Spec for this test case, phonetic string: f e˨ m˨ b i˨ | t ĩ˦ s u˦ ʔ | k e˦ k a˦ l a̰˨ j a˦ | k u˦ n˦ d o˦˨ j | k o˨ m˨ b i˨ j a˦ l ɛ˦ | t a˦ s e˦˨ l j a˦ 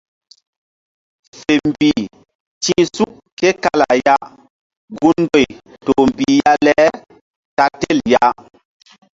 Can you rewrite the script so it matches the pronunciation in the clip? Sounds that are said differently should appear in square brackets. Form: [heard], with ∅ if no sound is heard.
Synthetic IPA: f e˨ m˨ b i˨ | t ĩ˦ s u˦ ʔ | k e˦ k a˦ l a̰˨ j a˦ | [ɡ] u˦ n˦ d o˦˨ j | [t] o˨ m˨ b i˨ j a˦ l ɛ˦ | t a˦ [t] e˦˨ l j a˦